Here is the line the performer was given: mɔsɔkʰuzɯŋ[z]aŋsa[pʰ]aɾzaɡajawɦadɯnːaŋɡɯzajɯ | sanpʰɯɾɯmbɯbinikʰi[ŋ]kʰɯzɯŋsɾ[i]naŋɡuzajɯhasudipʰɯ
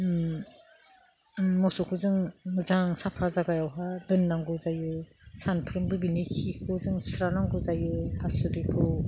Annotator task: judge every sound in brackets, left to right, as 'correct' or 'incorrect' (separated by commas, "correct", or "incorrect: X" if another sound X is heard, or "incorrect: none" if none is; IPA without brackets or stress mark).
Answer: correct, correct, incorrect: none, incorrect: a